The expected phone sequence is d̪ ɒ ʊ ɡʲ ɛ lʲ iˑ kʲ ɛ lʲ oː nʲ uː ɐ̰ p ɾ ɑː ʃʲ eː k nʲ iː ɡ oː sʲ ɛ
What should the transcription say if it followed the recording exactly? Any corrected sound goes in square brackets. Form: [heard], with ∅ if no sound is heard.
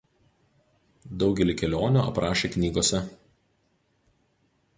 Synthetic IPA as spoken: d̪ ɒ ʊ ɡʲ ɛ lʲ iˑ kʲ ɛ lʲ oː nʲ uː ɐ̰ p ɾ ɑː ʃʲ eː k nʲ iː ɡ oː sʲ ɛ